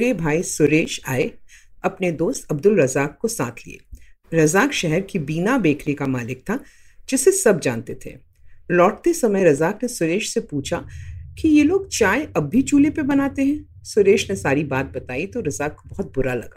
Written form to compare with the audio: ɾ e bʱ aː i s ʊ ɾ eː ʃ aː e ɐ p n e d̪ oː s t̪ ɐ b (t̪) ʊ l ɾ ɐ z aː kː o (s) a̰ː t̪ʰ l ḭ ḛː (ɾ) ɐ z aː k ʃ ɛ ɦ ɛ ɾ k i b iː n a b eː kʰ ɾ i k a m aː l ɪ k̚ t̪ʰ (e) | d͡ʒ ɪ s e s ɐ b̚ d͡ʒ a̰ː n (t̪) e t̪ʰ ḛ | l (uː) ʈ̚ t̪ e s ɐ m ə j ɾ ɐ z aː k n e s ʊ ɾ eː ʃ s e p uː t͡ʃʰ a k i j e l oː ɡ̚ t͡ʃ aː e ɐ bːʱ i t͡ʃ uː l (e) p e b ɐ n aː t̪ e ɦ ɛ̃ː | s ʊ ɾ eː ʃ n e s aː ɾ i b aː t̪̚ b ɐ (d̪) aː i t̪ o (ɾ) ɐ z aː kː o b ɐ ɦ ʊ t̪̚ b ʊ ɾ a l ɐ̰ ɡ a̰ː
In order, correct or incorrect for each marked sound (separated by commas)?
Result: incorrect, correct, correct, incorrect, correct, incorrect, correct, incorrect, correct